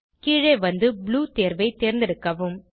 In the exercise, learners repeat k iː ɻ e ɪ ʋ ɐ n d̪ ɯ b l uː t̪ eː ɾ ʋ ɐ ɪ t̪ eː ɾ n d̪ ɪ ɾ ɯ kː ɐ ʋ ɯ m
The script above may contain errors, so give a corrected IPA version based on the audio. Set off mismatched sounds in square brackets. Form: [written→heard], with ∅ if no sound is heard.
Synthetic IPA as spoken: k iː ɻ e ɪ ʋ ɐ n d̪ ɯ b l uː t̪ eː ɾ ʋ ɐ ɪ t̪ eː ɾ n d̪ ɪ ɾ ɯ kː ɐ ʋ ɯ m